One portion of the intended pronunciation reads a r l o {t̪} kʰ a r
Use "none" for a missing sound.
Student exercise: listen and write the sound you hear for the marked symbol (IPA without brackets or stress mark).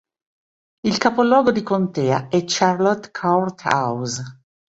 t̪